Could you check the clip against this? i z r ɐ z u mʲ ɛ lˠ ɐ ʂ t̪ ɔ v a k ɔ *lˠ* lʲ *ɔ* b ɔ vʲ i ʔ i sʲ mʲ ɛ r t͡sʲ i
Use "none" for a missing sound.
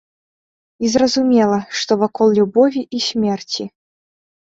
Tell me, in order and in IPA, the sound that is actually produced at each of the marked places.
lˠ, u

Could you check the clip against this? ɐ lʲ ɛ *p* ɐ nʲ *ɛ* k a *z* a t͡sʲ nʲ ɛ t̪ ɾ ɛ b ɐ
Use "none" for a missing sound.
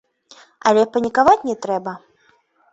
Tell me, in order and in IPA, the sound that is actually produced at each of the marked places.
p, i, v

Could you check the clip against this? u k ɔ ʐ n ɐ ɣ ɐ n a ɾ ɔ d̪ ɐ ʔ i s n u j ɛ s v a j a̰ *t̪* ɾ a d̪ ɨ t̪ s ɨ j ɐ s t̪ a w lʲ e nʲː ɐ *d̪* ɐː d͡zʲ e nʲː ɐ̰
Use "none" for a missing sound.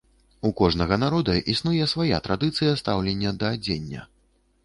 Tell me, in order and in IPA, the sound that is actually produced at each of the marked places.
t̪, d̪

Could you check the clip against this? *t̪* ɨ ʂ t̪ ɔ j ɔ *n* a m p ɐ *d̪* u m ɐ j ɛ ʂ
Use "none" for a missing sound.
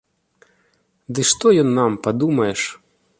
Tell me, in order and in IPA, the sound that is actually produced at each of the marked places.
d̪, nː, d̪

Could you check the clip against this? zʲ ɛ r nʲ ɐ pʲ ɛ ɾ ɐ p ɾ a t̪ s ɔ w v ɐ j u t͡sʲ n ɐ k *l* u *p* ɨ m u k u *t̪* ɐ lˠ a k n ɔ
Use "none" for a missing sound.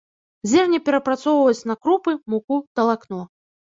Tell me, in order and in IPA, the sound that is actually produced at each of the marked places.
ɾ, p, t̪

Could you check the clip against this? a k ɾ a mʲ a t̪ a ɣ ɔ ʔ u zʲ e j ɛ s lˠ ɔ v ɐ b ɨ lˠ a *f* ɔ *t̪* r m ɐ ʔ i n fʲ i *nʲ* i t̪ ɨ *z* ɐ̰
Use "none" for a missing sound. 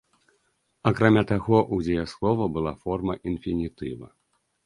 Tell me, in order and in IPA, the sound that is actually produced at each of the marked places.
f, none, nʲ, v

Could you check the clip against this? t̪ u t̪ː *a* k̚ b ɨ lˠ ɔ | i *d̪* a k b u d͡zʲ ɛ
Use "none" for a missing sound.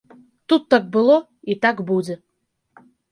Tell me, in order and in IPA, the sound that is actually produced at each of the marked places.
a, t̪

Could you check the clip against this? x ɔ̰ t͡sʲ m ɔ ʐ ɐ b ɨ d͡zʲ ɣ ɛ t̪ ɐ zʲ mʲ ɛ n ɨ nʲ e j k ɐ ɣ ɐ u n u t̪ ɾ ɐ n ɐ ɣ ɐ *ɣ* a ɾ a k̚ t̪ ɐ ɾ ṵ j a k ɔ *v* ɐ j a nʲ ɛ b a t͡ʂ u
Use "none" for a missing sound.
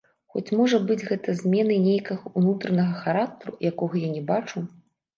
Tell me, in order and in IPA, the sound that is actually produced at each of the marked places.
x, ɣ

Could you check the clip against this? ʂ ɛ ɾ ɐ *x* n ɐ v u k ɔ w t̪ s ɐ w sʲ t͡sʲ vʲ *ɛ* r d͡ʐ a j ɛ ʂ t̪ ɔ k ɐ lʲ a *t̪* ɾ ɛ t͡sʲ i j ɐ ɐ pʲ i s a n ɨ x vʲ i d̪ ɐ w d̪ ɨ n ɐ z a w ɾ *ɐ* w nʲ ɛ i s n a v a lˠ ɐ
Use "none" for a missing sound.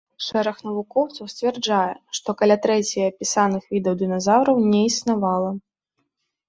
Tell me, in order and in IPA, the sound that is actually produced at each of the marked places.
x, ɛ, t̪, ɐ

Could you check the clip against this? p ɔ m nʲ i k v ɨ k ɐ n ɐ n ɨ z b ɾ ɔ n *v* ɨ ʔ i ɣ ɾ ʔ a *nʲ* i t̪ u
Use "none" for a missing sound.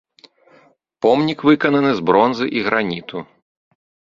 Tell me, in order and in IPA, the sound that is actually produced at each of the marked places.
z, nʲ

